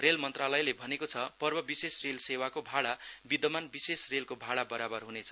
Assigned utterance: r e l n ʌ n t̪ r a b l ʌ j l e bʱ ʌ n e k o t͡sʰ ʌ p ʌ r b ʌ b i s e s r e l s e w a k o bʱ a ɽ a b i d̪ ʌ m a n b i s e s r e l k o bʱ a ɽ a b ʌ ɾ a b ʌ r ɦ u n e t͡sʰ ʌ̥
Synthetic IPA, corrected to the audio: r e l m ʌ n t̪ r a l ʌ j l e bʱ ʌ n e k o t͡sʰ ʌ p ʌ r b ʌ b i s e s r e l s e w a k o bʱ a ɽ a b i d̪ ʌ m a n b i s e s r e l k o bʱ a ɽ a b ʌ ɾ a b ʌ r ɦ u n e t͡sʰ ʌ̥

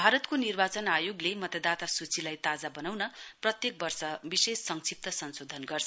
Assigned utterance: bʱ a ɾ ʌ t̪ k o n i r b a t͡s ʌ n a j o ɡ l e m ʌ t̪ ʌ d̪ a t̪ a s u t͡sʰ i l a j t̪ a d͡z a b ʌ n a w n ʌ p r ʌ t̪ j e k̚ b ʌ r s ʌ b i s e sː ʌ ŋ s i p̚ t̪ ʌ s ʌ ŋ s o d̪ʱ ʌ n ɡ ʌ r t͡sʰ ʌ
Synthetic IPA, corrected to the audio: bʱ a ɾ ʌ t̪ k o n i r b a t͡s ʌ n a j o ɡ l e m ʌ t̪ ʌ d̪ a t̪ a s u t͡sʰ i l a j t̪ a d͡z a b ʌ n a w n ʌ p r ʌ t̪ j e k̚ b ʌ r s ʌ b i s e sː ʌ ŋ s i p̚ t̪ ʌ s ʌ n s o d̪ʱ ʌ n ɡ ʌ r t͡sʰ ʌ

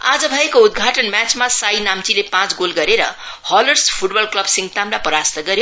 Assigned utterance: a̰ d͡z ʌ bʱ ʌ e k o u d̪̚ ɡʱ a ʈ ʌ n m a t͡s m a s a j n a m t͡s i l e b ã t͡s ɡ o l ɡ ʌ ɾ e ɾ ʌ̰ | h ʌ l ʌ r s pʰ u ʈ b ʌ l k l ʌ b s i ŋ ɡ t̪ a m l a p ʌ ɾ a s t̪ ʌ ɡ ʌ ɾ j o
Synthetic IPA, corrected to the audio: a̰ d͡z ʌ bʱ ʌ e k o u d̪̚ ɡʱ a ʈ ʌ n m a t͡s m a s a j n a m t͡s i l e p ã t͡s ɡ o l ɡ ʌ ɾ e ɾ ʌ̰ | h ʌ l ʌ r s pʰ u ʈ b ʌ l k l ʌ b s i ŋ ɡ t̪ a m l a p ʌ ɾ a s t̪ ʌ ɡ ʌ ɾ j o

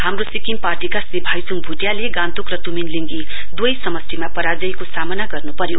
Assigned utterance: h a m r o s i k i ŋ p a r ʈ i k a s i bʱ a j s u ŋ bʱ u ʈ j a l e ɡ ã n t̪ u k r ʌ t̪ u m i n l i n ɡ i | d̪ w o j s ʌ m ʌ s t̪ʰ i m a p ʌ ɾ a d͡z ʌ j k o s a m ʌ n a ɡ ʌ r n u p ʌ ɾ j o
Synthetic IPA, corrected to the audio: h a m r o s i k i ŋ p a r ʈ i k a s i bʱ a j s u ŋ bʱ u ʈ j a l e ɡ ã n t̪ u k r ʌ t̪ u m i n l i ŋ ɡ i | d̪ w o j s ʌ m ʌ s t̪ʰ i m a p ʌ ɾ a d͡z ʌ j k o s a m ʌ n a ɡ ʌ r n u p ʌ ɾ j o

